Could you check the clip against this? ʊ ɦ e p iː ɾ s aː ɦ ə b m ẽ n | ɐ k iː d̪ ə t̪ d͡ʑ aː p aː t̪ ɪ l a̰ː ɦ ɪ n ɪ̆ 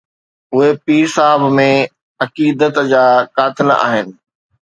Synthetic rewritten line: ʊ ɦ e p iː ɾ s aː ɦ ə b m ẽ | ɐ k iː d̪ ə t̪ d͡ʑ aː k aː t̪ ɪ l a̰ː ɦ ɪ n ɪ̆